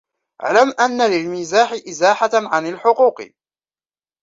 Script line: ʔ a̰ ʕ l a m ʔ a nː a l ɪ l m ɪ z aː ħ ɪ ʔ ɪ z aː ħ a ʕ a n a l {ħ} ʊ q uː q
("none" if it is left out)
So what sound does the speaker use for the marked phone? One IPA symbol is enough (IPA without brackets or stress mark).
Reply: ħ